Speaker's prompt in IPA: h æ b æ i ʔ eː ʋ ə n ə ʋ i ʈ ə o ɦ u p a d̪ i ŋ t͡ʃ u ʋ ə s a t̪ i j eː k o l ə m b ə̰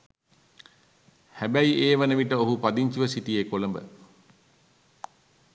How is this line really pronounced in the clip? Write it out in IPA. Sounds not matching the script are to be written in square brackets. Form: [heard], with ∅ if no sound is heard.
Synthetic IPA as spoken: h æ b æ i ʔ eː ʋ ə n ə ʋ i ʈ ə o ɦ u p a d̪ i [ɲ] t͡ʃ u ʋ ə s [i] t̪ i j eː k o l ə m b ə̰